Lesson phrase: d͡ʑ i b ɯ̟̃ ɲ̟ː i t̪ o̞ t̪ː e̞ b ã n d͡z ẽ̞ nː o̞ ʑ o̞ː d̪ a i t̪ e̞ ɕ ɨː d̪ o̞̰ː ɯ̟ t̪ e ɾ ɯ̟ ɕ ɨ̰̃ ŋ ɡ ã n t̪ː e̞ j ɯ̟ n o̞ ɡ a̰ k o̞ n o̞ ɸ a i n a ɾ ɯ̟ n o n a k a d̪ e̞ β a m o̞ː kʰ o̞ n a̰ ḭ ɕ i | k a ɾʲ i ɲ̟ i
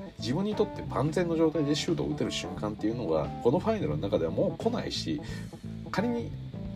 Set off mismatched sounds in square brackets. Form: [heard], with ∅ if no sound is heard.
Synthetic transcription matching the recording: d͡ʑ i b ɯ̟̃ ɲ̟ː i t̪ o̞ t̪ː e̞ b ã n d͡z ẽ̞ nː o̞ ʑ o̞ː [t̪] a i [d̪] e̞ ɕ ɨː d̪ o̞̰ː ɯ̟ t̪ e ɾ ɯ̟ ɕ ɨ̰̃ ŋ [k] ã n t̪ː e̞ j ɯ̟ n o̞ ɡ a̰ k o̞ n o̞ ɸ a i n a ɾ ɯ̟ n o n a k a d̪ e̞ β a m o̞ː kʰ o̞ n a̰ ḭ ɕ i | k a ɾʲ i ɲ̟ i